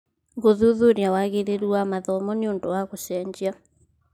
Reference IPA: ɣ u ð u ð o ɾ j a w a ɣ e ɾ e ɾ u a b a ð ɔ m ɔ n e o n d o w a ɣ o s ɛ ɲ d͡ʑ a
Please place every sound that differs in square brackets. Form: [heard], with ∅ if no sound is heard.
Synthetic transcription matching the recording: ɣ [o] ð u ð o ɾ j a w a ɣ e ɾ e ɾ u a [m] a ð ɔ m ɔ n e o n d o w a ɣ o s ɛ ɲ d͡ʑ a